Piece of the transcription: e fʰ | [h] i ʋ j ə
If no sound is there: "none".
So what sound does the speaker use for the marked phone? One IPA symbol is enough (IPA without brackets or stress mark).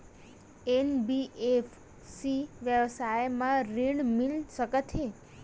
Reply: s